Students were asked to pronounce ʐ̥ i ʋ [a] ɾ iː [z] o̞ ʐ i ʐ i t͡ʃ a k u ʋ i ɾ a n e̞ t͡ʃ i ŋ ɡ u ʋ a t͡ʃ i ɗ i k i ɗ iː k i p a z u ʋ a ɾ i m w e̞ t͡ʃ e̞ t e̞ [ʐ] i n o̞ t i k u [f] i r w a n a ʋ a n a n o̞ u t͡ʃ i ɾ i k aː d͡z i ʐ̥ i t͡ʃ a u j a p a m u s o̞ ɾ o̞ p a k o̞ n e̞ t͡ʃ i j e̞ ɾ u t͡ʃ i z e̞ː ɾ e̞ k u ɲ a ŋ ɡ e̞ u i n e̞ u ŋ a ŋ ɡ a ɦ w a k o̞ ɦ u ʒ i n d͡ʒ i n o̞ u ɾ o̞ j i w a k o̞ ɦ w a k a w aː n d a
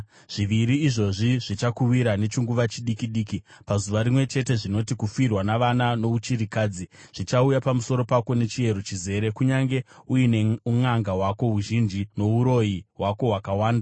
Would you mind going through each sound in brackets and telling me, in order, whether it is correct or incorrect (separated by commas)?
incorrect, incorrect, correct, correct